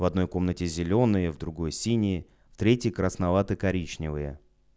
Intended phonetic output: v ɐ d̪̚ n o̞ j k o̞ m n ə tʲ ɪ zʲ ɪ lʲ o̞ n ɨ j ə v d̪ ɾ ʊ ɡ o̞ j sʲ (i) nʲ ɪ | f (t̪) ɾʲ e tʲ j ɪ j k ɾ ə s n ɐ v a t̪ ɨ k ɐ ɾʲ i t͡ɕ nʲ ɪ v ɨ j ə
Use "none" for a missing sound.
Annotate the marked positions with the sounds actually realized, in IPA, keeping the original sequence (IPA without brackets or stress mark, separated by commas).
i, t̪